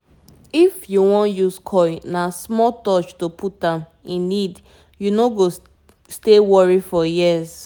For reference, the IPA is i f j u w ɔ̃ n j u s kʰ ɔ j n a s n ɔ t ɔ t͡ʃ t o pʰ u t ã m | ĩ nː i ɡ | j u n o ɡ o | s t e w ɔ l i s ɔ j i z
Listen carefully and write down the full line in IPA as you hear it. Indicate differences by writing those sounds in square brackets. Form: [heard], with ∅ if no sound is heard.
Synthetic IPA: i f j u w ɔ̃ n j u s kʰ ɔ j n a s [m] ɔ t ɔ t͡ʃ t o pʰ u t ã m | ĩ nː i [d] | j u n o ɡ o | s t e w ɔ [ɹ] i [f] ɔ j i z